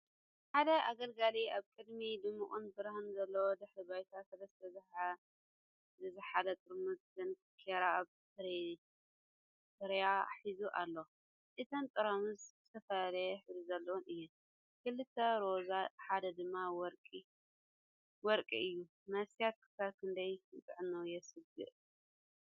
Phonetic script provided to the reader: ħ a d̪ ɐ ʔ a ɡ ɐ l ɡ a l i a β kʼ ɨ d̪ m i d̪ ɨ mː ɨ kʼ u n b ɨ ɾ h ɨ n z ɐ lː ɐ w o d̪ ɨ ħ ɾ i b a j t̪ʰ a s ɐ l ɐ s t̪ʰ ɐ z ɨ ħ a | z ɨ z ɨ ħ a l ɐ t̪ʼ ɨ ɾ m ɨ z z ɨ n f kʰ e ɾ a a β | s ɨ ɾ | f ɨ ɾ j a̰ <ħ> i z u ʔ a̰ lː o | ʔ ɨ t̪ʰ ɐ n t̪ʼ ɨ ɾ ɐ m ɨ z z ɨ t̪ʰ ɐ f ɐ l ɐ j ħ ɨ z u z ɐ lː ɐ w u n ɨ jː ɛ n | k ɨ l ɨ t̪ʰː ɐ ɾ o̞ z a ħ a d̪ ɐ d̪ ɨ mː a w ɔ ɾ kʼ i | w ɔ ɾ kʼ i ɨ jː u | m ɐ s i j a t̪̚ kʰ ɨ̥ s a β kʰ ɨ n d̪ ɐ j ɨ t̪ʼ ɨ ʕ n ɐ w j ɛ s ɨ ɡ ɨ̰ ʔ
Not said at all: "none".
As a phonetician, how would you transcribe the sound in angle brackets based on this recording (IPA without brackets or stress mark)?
ħ